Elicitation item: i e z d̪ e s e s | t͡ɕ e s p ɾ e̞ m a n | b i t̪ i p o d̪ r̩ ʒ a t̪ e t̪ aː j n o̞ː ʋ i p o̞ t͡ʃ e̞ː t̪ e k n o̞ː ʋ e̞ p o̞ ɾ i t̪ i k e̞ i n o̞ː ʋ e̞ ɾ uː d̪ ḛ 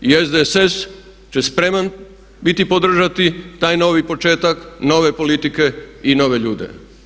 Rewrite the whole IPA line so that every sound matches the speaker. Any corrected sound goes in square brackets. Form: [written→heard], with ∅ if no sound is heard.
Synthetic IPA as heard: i e z d̪ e s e s | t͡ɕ e s p ɾ e̞ m a n | b i t̪ i p o d̪ r̩ ʒ a t̪ [e→i] t̪ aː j n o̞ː ʋ i p o̞ t͡ʃ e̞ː t̪ [e→a] k n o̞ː ʋ e̞ p o̞ [ɾ→l] i t̪ i k e̞ i n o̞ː ʋ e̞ [ɾ→ʎ] uː d̪ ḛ